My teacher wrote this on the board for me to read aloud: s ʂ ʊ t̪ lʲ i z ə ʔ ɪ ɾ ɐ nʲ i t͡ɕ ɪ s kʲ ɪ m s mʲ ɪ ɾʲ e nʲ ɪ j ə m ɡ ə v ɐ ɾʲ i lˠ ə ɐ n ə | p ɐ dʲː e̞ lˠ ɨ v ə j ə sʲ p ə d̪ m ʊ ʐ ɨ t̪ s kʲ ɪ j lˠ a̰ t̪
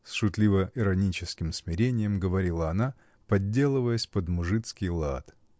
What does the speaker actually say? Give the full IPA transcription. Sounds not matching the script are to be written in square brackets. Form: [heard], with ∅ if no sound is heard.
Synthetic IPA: s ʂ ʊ t̪ lʲ i [v] ə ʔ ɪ ɾ ɐ nʲ i t͡ɕ ɪ s kʲ ɪ m s mʲ ɪ ɾʲ e nʲ ɪ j ə m ɡ ə v ɐ ɾʲ i lˠ ə ɐ n [a] | p ɐ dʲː e̞ lˠ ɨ v ə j ə sʲ p ə d̪ m ʊ ʐ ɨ t̪ s kʲ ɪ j lˠ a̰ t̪